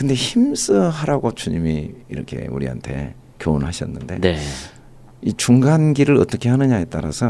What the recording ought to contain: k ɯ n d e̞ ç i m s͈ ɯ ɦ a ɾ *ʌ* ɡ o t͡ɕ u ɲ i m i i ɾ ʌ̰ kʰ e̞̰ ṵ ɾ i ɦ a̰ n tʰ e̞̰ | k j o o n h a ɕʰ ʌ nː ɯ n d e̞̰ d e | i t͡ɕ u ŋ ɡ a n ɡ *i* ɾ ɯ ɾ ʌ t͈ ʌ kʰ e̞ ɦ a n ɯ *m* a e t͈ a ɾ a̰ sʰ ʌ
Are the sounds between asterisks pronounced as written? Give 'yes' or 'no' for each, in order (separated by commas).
no, yes, no